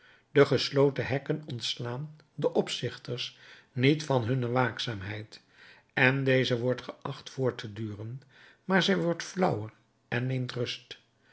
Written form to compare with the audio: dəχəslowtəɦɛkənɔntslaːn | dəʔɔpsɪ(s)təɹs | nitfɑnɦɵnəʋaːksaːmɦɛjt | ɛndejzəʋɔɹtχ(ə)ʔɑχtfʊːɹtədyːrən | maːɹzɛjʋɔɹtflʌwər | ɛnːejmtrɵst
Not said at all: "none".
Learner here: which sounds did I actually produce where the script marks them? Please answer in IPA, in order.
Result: χ, ə

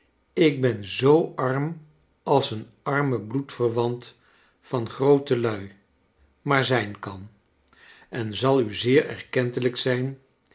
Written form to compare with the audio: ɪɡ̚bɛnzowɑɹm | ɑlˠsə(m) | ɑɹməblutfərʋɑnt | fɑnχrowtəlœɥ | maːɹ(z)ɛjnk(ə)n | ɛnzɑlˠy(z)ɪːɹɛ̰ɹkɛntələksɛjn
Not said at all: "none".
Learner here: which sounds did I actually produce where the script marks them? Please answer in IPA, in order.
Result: n, z, ɑ, z

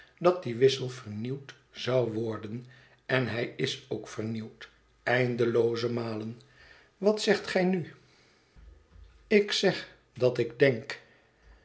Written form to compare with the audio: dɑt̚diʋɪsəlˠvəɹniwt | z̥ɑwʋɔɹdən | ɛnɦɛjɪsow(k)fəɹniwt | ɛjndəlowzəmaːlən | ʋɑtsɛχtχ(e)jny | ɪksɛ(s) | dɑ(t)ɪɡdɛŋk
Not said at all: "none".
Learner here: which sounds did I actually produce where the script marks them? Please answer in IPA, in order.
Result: k, ɛ, χ, t

